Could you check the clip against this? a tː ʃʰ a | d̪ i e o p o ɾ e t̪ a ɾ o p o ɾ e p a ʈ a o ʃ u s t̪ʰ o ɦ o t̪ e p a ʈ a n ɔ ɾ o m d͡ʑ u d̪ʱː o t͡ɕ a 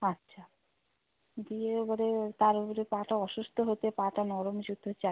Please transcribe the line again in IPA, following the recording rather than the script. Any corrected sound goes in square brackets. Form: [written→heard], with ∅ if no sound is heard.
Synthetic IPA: a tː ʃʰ a | d̪ i e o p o ɾ e t̪ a ɾ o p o ɾ e p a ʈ a [o→ɔ] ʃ u s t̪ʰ o ɦ o t̪ e p a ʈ a n ɔ ɾ o m d͡ʑ u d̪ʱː o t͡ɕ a